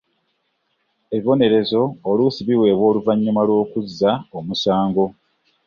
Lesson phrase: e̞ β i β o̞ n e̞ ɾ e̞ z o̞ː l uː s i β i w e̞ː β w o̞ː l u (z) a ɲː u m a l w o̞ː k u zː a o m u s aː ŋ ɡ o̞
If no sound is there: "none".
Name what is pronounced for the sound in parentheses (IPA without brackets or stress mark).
v